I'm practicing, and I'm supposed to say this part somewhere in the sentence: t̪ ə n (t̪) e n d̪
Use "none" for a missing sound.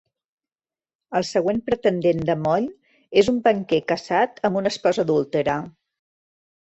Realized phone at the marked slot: d̪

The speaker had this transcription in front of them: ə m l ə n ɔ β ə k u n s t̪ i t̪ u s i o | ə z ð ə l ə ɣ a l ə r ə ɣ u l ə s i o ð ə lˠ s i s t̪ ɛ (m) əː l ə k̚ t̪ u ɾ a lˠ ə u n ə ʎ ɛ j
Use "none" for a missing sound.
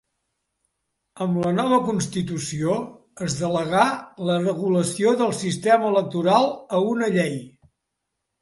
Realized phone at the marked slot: m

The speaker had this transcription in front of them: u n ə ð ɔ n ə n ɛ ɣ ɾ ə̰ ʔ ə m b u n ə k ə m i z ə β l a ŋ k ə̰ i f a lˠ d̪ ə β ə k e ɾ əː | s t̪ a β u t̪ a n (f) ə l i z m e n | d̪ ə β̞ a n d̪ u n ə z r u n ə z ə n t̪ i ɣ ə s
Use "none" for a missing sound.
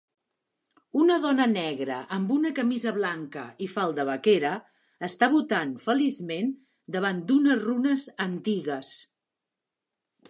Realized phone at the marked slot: f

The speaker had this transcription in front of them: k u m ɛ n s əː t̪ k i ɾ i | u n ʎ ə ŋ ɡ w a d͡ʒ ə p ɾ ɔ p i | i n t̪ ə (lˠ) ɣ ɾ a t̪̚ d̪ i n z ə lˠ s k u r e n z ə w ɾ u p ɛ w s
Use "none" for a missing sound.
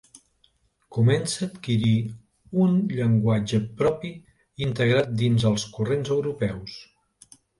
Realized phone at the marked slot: none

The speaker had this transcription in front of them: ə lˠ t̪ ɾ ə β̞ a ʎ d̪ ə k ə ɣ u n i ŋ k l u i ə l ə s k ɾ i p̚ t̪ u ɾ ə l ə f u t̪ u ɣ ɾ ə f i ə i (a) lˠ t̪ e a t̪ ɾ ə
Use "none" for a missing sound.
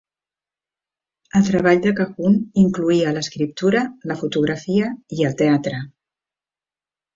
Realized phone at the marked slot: ə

